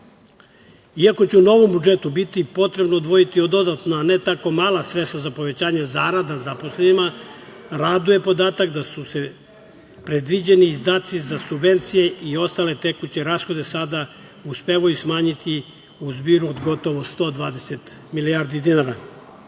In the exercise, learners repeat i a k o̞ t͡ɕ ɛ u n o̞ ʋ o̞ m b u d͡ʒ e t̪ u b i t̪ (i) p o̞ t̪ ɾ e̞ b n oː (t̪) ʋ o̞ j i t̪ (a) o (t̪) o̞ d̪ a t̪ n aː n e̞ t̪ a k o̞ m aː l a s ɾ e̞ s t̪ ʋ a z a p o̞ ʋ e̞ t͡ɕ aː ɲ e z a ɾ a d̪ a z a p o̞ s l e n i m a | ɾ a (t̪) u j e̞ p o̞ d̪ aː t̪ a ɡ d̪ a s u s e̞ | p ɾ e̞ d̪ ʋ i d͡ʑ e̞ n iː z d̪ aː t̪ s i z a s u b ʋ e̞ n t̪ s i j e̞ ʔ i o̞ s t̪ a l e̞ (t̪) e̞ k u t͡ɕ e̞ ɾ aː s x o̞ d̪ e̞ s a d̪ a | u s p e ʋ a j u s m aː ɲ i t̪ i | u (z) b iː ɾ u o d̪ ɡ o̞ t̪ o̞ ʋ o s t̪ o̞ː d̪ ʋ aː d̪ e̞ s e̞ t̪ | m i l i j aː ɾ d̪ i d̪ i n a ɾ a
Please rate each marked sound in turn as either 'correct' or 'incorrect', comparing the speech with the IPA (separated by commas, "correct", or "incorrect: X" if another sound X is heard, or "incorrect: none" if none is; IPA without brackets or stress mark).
correct, incorrect: d̪, incorrect: i, incorrect: d̪, incorrect: d̪, correct, correct